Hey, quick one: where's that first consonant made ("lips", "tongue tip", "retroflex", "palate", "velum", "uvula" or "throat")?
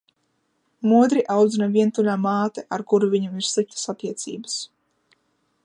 lips